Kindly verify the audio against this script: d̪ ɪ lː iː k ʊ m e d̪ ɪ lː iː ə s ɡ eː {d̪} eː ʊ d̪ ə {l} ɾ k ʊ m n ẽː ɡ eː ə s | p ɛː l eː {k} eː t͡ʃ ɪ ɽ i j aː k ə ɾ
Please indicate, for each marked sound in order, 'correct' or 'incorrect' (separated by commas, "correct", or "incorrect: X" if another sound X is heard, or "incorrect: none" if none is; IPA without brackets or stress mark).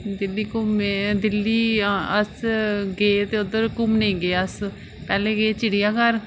incorrect: t̪, incorrect: none, incorrect: ɡ